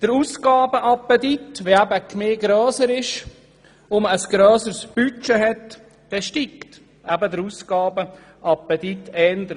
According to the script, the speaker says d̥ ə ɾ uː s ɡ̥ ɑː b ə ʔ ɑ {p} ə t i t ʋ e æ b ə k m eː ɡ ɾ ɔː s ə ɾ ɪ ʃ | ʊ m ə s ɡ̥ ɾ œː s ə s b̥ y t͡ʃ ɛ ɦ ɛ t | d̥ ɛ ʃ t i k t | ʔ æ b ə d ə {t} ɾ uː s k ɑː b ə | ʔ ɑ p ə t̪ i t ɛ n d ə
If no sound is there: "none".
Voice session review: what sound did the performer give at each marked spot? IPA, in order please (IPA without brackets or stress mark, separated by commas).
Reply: p, none